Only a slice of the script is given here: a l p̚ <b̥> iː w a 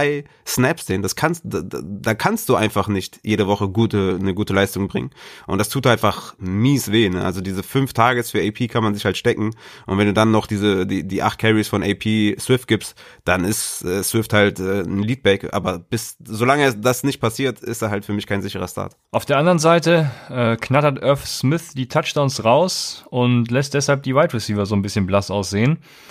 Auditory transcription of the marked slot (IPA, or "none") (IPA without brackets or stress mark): d̥